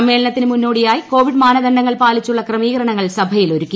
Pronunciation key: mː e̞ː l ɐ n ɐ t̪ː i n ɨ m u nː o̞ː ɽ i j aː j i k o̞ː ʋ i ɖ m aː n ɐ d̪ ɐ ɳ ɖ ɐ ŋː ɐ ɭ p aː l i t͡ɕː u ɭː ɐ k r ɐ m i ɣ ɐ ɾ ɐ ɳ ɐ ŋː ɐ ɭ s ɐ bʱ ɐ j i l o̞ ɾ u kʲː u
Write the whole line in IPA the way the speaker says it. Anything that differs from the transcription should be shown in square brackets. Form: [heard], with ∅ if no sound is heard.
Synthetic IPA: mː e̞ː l ɐ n ɐ t̪ː i n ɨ m u nː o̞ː ɽ i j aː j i k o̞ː ʋ i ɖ m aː n ɐ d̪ ɐ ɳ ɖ ɐ ŋː ɐ ɭ p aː l i t͡ɕː u ɭː ɐ k r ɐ m [iː] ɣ ɐ ɾ ɐ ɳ ɐ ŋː ɐ ɭ s ɐ bʱ ɐ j i l o̞ ɾ u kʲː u